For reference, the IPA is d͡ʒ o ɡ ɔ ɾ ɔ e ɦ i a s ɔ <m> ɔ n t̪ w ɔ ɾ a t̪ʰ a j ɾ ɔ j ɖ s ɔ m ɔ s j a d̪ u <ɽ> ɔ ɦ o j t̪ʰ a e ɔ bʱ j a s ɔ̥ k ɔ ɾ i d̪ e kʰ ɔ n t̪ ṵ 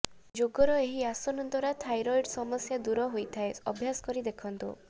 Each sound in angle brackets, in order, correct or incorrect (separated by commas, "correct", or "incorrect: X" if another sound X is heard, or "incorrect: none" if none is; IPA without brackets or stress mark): incorrect: n, incorrect: ɾ